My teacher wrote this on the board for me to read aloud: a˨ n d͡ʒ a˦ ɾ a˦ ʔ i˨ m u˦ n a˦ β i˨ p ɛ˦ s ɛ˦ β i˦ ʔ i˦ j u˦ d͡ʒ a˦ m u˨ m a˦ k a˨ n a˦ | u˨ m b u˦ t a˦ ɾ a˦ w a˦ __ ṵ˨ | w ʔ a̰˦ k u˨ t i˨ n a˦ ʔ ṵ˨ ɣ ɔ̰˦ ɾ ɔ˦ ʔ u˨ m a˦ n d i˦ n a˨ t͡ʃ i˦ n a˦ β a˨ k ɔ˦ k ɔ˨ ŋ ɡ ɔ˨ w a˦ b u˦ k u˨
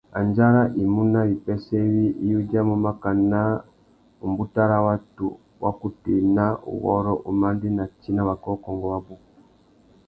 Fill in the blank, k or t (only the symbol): t